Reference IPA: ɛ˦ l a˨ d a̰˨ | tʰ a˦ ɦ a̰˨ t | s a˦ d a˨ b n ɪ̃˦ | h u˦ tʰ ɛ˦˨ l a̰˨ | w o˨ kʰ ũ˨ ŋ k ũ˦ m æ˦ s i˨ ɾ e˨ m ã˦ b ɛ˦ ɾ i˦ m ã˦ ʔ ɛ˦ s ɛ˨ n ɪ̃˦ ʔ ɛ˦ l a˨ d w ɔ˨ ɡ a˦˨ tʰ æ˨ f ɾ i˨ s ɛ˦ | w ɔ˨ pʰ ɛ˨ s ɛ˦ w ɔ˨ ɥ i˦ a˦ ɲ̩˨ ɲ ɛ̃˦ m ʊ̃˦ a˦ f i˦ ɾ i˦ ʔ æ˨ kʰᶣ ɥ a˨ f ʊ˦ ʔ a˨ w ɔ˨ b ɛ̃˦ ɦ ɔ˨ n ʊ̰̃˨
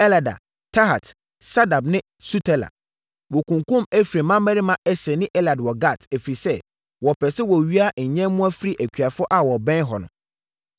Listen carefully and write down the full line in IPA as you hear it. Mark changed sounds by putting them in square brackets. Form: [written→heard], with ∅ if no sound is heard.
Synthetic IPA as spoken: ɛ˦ l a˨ d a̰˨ | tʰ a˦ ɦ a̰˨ t | s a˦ d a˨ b n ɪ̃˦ | [h→s] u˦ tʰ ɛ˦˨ l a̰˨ | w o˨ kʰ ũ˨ ŋ k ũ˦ m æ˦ [s→f] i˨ ɾ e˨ m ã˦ [b→m] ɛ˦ ɾ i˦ m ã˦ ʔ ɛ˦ s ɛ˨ n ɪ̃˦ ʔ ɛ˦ l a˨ d w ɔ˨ ɡ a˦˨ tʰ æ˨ f ɾ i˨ s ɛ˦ | w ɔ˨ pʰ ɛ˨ s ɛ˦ w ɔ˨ ɥ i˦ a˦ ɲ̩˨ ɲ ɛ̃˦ m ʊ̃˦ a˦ f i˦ ɾ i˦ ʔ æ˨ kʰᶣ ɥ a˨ f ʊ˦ ʔ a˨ w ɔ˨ b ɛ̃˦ ɦ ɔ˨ n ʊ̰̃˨

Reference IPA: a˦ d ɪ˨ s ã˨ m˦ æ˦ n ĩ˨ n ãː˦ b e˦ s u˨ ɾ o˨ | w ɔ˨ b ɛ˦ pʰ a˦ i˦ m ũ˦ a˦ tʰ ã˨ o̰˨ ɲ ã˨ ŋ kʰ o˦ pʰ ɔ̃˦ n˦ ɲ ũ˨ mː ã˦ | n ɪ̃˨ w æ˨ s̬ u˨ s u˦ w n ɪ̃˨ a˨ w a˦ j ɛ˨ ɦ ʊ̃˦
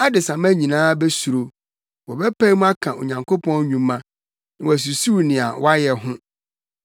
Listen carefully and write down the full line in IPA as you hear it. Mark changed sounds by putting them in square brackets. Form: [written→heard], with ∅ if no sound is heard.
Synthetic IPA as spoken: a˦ d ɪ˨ s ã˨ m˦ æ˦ [n→ɲ] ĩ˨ n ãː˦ b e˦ s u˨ ɾ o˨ | w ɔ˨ b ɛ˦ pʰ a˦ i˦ m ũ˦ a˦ [tʰ→kʰ] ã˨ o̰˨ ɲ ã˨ ŋ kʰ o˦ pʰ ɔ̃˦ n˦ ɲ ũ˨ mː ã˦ | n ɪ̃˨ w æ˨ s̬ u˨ s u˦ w n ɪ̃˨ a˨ w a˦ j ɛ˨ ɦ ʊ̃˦

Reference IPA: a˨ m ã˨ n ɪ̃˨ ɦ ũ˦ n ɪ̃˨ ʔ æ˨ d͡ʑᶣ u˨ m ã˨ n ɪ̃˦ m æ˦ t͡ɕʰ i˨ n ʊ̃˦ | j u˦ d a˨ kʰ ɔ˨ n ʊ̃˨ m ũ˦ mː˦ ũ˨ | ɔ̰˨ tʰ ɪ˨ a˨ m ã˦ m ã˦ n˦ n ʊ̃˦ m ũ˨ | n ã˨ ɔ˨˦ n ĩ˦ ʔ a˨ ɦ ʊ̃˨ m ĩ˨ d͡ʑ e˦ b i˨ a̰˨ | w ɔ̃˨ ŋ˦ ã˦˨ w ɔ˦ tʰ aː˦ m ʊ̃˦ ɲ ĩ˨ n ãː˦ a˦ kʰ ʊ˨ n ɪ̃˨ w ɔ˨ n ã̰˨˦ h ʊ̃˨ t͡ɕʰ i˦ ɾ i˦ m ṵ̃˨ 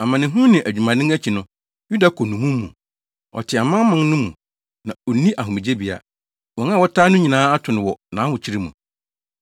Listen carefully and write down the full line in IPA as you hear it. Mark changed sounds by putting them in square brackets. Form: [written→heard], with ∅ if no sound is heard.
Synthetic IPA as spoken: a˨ m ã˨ n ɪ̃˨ ɦ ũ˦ n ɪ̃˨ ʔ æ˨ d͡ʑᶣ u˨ m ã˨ n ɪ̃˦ [m→ŋ] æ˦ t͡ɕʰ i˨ n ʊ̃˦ | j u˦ d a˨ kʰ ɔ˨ n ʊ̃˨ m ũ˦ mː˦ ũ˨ | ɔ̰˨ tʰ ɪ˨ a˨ m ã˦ m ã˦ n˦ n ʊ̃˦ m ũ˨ | n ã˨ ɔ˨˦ n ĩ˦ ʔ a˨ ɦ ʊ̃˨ m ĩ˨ d͡ʑ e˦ b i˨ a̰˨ | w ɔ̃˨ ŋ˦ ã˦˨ w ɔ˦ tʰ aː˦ [m→n] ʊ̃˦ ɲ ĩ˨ n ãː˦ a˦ [kʰ→tʰ] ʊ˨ n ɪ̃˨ w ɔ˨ n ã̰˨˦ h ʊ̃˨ t͡ɕʰ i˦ ɾ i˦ m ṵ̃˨

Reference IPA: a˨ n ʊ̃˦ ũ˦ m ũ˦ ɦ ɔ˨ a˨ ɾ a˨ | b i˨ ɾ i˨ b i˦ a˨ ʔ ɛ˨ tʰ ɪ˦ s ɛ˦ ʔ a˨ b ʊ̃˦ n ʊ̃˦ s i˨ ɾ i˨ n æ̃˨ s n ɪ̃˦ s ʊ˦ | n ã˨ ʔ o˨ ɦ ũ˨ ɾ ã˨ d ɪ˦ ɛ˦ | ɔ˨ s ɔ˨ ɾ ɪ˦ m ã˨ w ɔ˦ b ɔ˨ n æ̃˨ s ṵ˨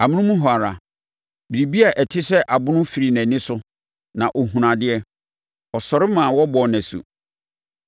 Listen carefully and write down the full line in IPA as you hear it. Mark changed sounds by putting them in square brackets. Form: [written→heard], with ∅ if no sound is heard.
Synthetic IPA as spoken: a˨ [n→m] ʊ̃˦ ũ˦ m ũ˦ ɦ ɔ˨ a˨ ɾ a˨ | b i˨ ɾ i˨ b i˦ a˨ ʔ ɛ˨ tʰ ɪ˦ s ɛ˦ ʔ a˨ b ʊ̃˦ n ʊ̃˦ [s→f] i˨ ɾ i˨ n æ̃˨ [s→∅] n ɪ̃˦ s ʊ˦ | n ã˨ ʔ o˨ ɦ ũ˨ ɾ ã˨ d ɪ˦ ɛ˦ | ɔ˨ s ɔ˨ ɾ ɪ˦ m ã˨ w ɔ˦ b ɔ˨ n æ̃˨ s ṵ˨

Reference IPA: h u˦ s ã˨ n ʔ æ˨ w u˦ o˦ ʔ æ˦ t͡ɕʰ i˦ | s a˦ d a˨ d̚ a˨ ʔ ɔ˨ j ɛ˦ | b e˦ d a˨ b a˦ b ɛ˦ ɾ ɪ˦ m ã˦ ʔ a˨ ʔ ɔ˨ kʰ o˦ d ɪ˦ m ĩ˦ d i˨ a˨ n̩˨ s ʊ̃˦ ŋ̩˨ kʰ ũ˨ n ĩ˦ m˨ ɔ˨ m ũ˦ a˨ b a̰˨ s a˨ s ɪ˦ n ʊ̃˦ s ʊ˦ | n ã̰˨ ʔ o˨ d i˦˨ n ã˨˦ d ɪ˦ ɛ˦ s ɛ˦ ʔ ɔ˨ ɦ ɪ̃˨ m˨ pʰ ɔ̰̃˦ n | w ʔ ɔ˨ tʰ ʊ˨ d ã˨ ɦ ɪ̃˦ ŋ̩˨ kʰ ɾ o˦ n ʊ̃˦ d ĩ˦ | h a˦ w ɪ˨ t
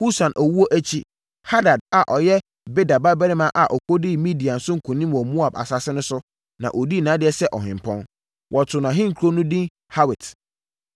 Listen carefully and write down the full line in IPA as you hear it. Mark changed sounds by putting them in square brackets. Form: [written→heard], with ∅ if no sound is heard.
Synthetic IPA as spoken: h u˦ s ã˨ n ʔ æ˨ w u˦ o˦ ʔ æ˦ t͡ɕʰ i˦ | [s→h] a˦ d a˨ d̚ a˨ ʔ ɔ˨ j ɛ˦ | b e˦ d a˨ b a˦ b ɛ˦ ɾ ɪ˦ m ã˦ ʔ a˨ ʔ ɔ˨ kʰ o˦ d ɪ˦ m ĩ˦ d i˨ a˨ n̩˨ s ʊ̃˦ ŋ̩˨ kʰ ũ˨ n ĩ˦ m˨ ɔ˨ m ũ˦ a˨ b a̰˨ s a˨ s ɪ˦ n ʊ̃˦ s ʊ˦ | n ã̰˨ ʔ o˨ d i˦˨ n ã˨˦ d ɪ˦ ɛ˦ s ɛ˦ ʔ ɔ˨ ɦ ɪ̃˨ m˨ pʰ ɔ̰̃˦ n | w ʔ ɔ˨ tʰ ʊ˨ [d→n] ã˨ ɦ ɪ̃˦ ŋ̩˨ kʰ ɾ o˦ n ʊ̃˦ d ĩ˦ | h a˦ w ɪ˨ t

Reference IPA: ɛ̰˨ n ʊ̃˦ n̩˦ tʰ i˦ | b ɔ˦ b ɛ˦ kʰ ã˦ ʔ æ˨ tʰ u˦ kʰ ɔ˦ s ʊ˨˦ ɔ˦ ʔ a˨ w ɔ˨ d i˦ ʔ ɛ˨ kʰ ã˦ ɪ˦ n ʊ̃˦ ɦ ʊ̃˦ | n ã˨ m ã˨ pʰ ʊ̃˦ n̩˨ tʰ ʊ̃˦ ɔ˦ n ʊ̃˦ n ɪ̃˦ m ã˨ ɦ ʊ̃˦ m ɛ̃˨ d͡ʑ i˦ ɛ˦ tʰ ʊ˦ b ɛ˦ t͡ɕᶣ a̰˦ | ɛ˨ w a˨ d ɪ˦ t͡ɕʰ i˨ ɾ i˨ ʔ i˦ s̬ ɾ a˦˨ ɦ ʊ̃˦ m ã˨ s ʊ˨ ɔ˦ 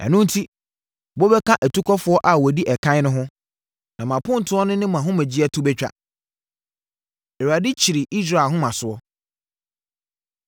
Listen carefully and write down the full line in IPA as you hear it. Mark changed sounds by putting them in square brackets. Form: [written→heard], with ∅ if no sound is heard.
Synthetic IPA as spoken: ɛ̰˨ n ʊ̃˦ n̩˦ tʰ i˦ | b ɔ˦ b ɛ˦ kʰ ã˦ ʔ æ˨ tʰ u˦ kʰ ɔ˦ [s→f] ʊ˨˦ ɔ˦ ʔ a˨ w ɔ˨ d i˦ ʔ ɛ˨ kʰ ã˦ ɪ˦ n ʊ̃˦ ɦ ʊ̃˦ | n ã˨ m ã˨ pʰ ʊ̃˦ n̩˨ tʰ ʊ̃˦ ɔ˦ n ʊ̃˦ n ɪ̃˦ m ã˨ ɦ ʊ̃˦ m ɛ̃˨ d͡ʑ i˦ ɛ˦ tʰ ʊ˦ b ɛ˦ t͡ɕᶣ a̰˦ | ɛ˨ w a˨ d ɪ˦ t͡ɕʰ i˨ ɾ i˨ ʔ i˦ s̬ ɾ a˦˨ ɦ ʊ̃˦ m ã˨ s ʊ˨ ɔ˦

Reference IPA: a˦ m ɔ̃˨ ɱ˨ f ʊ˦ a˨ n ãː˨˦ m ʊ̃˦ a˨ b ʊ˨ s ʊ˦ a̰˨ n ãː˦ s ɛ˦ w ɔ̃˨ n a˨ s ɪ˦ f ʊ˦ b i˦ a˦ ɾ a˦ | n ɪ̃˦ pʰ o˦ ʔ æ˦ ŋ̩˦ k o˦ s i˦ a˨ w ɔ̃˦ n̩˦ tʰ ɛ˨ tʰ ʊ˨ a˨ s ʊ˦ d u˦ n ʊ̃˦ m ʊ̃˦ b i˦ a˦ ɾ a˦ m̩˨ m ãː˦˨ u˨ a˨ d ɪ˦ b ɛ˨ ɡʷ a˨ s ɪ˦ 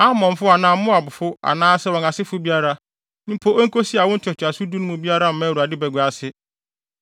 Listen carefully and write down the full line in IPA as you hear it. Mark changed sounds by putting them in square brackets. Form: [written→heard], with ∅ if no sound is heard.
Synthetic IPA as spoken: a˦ m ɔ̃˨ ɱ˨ f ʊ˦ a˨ n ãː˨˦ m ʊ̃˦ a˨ b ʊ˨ [s→f] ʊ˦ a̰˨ n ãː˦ s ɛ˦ w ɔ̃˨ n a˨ s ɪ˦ f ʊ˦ b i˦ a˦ ɾ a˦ | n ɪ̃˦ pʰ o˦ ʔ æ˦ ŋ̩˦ k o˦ s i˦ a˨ w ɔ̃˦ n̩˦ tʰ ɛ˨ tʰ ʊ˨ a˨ s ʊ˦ d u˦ n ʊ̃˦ m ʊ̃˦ b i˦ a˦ ɾ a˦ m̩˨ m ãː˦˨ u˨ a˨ d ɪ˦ b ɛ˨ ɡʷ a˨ s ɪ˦

